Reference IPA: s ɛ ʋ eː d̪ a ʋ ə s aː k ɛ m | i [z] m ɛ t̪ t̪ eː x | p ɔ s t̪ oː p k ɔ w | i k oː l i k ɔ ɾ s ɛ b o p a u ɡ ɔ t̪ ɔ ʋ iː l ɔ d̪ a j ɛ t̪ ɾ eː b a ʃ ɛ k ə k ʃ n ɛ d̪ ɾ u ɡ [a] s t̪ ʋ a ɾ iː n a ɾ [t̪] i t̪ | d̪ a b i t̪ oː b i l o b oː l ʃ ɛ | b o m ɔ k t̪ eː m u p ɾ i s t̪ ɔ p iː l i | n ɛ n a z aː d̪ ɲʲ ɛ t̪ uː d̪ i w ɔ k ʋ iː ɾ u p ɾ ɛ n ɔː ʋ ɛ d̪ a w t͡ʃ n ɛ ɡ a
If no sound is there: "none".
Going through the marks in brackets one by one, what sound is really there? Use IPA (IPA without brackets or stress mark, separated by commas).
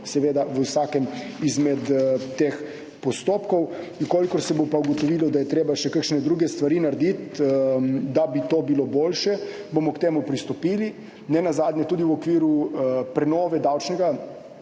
z, ɛ, d̪